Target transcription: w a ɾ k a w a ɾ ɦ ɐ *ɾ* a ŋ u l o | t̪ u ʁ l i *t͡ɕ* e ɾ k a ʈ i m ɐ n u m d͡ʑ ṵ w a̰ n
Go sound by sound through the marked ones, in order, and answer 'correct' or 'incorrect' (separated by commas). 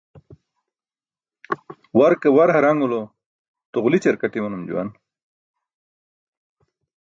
correct, correct